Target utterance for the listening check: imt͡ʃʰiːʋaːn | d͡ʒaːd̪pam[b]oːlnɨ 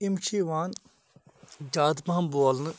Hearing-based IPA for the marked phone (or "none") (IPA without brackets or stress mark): b